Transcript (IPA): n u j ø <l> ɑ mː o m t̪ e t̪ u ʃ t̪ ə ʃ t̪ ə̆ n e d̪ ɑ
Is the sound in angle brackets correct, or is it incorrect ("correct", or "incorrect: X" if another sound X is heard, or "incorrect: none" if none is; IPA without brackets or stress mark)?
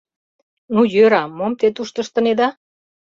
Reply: incorrect: ɾ